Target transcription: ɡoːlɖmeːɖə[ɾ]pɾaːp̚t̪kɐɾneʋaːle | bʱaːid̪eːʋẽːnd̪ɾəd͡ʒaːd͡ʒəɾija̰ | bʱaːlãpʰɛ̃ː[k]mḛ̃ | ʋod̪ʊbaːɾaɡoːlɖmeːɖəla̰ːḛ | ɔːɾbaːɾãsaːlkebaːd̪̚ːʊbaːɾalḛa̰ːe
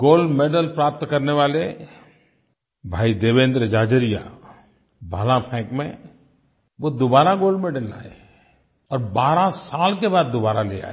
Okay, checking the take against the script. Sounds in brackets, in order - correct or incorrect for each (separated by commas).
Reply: incorrect, correct